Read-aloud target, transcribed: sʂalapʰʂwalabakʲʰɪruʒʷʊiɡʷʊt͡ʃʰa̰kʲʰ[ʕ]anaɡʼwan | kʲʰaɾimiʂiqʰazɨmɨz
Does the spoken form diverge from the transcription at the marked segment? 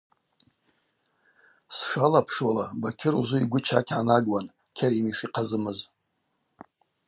no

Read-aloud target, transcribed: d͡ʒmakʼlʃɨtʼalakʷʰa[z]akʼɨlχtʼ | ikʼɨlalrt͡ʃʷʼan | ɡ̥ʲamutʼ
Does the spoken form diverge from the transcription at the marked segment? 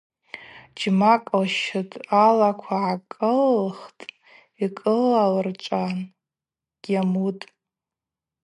yes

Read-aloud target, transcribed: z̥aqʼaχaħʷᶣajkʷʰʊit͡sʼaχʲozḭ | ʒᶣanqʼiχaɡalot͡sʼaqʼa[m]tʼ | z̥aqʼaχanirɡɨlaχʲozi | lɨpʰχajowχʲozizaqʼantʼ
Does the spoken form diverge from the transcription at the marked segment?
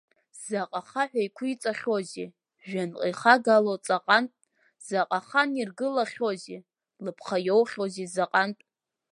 yes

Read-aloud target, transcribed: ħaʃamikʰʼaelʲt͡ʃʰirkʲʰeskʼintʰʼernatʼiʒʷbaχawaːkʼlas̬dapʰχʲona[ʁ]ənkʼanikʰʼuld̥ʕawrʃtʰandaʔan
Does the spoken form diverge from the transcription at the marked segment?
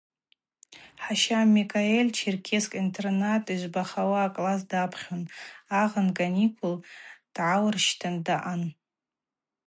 no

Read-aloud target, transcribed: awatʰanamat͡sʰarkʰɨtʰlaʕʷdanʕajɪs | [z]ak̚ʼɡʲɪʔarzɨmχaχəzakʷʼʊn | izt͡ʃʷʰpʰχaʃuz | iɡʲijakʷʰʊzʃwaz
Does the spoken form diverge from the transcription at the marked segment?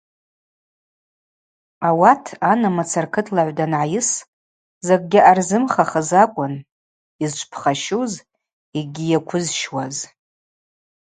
no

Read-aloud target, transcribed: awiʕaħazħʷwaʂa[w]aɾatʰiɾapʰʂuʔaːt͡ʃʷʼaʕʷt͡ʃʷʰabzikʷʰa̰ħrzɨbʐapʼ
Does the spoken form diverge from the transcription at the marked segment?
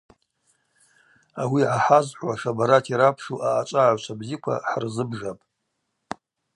yes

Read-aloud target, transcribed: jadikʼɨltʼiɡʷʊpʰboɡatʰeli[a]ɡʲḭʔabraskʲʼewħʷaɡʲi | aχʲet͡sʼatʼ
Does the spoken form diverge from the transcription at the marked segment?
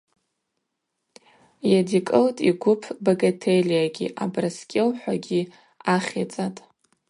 no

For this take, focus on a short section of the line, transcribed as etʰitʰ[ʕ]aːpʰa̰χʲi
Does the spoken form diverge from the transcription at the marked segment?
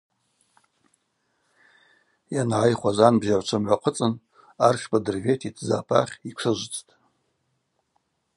yes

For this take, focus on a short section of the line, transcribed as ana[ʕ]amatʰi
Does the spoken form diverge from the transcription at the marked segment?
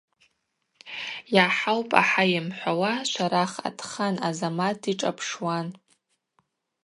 yes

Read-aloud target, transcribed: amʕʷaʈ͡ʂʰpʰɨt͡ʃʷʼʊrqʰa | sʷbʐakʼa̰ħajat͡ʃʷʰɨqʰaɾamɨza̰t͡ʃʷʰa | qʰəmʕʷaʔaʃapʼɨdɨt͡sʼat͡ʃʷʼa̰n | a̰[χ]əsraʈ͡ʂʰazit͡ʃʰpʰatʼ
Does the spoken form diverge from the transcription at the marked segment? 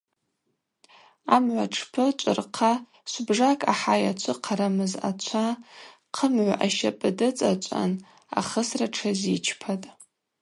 no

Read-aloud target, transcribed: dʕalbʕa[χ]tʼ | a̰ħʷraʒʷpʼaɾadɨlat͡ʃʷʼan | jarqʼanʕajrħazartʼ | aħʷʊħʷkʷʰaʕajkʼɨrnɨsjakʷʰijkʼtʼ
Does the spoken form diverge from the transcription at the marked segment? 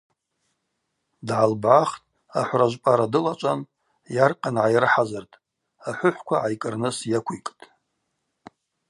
no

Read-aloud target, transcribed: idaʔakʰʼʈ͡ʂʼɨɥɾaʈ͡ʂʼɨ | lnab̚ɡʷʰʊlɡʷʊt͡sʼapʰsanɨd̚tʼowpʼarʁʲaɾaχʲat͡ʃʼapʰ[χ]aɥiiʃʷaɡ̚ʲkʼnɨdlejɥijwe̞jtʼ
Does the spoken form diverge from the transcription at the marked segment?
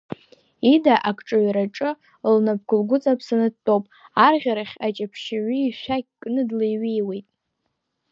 yes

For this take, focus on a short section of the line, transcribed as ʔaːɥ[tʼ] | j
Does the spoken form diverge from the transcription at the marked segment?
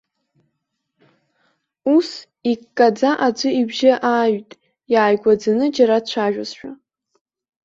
no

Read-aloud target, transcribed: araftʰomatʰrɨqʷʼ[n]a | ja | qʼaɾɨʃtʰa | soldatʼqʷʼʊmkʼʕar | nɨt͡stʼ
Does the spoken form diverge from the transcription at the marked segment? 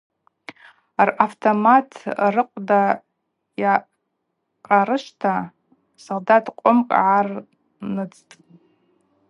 yes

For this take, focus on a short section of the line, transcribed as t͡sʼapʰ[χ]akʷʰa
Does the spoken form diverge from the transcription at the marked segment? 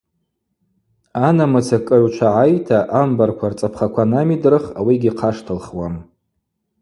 no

